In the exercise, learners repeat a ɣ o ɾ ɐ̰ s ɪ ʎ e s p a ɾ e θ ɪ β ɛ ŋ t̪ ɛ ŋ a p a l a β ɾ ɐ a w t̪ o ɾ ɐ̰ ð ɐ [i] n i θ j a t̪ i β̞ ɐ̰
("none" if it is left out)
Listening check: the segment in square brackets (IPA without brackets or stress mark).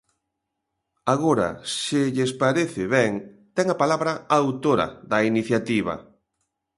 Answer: i